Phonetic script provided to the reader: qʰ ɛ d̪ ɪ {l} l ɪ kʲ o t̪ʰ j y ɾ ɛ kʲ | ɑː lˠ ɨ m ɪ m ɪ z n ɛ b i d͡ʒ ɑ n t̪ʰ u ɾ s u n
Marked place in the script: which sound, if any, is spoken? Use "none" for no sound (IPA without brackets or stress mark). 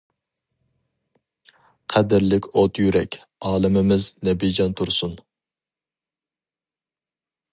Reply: ɾ